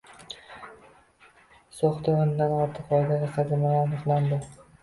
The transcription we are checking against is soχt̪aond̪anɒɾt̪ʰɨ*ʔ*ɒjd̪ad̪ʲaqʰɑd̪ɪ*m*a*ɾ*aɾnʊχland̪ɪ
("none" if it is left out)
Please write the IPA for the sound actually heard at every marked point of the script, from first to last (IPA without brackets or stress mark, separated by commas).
q, m, l